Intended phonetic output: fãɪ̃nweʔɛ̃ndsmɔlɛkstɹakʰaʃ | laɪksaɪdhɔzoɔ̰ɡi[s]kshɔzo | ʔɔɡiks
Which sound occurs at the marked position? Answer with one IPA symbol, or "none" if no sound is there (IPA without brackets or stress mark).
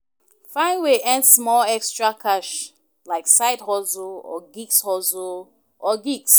none